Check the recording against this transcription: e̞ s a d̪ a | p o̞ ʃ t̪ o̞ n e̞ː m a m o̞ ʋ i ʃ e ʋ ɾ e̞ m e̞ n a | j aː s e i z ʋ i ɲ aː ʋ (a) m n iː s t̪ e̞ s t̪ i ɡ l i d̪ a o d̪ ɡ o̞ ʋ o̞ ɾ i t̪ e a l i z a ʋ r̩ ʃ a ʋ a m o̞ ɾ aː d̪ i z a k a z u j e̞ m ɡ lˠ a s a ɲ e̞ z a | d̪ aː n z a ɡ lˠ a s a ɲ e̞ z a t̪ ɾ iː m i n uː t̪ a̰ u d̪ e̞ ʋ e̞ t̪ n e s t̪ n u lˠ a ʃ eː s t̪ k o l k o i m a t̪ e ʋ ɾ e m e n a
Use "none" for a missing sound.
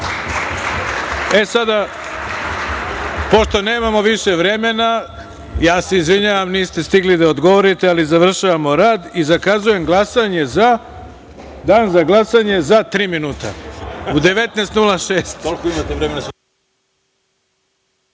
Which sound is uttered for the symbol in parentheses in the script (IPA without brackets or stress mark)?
a